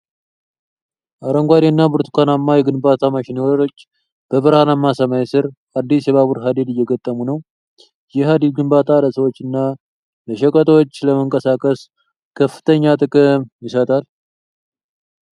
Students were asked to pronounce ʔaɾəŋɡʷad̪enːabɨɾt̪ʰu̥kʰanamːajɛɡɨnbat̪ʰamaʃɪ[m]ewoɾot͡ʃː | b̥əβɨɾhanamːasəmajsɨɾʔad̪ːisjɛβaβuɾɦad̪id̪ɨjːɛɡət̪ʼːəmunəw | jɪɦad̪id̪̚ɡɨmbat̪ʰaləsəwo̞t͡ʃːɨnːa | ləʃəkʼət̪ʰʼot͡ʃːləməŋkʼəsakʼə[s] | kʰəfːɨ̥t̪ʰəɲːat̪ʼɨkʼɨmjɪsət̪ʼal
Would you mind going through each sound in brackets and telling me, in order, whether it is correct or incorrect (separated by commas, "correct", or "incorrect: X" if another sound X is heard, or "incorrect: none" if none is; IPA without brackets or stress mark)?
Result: incorrect: n, correct